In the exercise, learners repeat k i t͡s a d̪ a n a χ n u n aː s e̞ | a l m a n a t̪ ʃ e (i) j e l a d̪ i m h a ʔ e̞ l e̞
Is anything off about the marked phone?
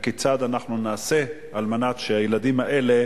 yes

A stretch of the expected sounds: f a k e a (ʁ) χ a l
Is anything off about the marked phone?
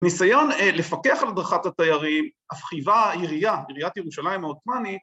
yes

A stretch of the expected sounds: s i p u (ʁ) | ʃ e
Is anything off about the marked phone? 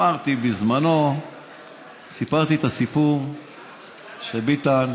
no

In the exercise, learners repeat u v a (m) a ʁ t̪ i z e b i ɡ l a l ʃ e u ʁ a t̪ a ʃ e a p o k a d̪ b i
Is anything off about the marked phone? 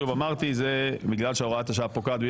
no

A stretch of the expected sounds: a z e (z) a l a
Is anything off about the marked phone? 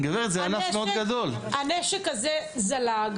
no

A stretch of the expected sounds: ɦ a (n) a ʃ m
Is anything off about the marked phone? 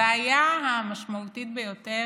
yes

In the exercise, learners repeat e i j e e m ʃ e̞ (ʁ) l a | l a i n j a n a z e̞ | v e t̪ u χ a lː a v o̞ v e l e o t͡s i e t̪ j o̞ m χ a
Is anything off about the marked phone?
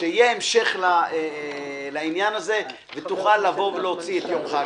yes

